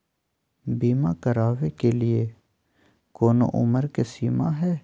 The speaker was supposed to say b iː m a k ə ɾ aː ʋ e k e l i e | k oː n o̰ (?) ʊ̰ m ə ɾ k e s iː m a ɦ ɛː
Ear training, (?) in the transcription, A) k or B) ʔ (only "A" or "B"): B